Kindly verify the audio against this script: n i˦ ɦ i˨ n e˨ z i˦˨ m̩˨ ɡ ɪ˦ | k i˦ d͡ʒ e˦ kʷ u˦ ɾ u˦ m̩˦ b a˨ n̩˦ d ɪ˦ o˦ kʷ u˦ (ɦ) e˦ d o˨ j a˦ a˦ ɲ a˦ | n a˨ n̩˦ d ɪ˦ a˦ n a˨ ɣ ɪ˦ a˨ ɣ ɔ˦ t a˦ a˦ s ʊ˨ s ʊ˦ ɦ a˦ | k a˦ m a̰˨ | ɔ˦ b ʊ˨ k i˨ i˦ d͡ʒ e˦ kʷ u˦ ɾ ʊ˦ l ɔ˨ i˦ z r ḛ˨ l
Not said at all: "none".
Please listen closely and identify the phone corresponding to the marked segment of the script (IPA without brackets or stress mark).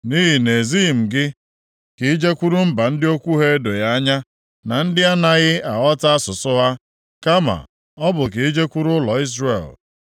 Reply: ɦ